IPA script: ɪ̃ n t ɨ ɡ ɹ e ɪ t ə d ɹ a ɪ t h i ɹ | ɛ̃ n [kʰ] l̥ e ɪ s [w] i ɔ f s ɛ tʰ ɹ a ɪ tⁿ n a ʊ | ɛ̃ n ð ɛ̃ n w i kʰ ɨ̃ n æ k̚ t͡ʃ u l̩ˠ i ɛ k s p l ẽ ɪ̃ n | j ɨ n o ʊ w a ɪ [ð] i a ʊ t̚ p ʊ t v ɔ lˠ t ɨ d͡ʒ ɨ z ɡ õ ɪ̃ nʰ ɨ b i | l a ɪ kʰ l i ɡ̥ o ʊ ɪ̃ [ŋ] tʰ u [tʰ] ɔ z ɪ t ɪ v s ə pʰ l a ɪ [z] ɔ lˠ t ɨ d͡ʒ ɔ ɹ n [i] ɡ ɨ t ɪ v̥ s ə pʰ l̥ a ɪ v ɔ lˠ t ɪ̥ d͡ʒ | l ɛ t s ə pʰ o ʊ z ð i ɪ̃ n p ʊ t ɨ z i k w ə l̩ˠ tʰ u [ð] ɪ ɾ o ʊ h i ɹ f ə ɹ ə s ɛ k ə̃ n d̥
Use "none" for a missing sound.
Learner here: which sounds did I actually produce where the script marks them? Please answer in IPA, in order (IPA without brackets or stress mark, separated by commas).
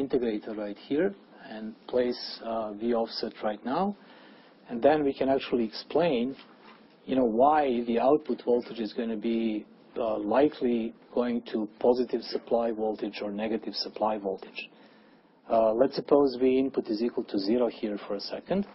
pʰ, v, ð, ŋ, pʰ, v, ɛ, z